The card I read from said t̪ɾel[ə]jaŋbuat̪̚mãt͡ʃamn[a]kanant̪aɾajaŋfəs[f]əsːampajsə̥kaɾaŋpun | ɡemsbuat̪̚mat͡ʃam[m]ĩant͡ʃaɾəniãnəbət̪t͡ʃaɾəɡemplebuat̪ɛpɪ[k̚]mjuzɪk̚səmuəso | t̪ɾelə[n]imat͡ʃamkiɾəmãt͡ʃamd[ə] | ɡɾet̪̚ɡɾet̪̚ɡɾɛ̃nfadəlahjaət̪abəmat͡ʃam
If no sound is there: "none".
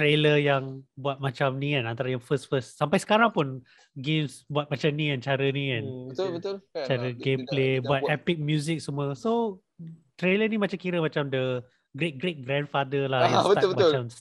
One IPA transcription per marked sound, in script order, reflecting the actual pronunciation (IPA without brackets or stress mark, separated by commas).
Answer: ə, i, f, n, k̚, n, ə